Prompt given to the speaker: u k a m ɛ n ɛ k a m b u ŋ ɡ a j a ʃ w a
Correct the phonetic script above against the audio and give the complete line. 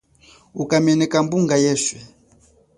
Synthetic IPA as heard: u k a m ɛ n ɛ k a m b u ŋ ɡ a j ɛ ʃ w ɛ